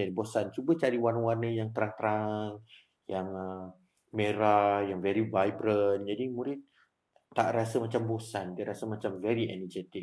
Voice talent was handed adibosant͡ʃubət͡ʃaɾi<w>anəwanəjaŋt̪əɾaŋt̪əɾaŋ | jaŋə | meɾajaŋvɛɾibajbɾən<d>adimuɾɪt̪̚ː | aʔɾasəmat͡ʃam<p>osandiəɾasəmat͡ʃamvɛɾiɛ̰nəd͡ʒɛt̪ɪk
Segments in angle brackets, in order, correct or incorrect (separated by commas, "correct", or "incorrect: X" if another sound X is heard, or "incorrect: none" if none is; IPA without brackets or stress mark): correct, incorrect: d͡ʒ, incorrect: b